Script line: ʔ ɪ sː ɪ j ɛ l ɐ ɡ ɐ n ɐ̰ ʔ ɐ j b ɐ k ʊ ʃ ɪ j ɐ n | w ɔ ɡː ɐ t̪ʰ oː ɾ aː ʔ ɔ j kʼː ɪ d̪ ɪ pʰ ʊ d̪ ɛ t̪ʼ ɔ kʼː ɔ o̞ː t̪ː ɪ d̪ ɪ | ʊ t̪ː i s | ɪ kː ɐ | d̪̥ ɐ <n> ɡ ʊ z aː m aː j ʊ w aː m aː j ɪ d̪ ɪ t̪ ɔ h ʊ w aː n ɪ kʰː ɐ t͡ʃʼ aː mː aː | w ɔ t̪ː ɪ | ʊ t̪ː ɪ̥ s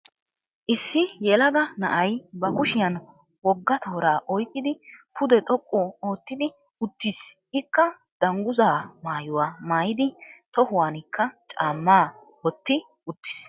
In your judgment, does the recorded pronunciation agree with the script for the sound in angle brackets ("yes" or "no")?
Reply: no